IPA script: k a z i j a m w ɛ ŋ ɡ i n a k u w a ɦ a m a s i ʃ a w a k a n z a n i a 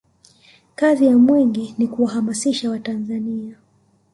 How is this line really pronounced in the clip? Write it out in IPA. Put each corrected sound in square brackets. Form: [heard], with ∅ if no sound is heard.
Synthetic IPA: k a z i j a m w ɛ ŋ ɡ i n [i] k u w a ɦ a m a s i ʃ a w a [t] a n z a n i a